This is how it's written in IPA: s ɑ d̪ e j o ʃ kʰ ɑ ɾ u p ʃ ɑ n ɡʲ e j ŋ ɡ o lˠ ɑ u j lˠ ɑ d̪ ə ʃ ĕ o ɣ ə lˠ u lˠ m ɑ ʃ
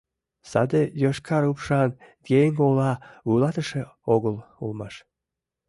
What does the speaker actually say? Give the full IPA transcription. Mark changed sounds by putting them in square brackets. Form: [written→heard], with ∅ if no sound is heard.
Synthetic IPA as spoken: s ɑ d̪ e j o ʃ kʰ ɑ ɾ u p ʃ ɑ n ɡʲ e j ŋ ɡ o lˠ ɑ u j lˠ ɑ [d̪→t̪] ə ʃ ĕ o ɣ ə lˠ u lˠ m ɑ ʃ